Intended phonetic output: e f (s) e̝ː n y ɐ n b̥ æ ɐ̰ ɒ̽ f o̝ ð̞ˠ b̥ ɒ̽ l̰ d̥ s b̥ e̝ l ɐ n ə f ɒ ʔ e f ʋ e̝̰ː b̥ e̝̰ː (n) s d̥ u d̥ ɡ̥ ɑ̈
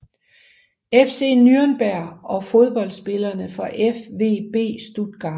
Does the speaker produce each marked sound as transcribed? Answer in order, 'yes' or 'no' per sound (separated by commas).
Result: yes, no